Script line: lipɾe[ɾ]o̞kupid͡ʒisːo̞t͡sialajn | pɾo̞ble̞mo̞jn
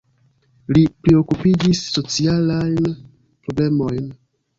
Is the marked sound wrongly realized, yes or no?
yes